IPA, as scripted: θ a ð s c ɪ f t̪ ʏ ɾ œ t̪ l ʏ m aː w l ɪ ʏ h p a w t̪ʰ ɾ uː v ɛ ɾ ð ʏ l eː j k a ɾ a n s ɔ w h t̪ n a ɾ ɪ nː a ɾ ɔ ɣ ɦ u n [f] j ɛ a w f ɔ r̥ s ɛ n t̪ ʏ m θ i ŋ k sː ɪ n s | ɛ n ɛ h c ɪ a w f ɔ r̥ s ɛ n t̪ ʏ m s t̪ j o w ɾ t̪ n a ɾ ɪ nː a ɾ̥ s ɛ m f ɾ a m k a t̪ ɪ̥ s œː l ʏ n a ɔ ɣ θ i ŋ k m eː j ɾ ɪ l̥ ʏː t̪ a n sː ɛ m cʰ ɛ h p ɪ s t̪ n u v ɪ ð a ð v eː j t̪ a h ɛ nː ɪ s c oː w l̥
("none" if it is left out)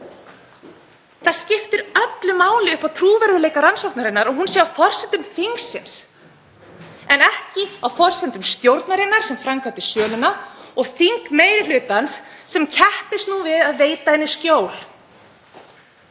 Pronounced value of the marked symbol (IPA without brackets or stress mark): s